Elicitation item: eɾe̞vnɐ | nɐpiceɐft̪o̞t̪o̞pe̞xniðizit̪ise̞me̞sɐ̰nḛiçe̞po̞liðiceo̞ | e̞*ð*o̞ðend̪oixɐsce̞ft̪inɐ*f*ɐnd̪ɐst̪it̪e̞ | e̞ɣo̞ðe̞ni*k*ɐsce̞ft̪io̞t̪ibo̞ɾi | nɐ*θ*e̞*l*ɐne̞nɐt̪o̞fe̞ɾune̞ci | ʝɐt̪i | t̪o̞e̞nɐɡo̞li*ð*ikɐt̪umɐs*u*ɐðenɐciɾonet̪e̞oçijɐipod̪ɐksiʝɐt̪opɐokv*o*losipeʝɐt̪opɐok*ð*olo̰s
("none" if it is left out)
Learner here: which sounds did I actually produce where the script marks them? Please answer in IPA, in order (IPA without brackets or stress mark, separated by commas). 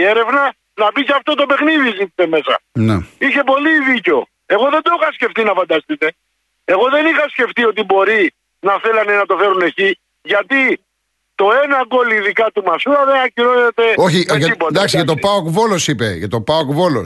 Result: ɣ, f, x, θ, l, ð, u, o, v